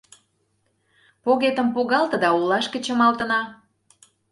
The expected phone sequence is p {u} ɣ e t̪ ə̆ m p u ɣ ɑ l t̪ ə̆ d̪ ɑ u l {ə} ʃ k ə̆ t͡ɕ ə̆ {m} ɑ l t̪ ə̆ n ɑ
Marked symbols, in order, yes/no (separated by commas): no, no, yes